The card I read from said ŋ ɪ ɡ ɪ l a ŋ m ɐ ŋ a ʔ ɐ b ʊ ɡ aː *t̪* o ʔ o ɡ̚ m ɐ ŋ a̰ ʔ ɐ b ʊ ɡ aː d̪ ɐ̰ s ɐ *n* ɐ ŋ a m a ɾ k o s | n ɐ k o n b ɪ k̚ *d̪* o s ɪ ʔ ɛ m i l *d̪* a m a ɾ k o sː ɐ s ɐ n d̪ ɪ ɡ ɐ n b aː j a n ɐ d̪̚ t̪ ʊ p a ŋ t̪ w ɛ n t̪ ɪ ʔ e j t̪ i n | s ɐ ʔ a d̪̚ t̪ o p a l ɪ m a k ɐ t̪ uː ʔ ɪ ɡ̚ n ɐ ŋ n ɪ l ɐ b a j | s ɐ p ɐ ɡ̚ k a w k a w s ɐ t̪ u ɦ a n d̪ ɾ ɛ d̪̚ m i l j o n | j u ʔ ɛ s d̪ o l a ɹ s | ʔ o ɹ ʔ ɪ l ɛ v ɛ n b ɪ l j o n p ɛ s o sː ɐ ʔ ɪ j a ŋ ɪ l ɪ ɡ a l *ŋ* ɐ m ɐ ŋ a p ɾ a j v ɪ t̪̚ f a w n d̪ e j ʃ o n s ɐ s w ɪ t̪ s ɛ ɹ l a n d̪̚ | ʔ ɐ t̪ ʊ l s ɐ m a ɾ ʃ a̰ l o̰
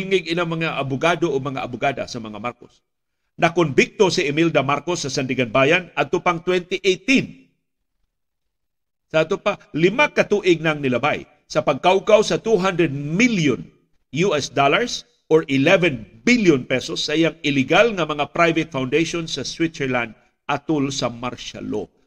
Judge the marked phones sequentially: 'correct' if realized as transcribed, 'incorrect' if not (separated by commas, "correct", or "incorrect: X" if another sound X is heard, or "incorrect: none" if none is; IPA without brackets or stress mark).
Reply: incorrect: d̪, incorrect: m, incorrect: t̪, correct, correct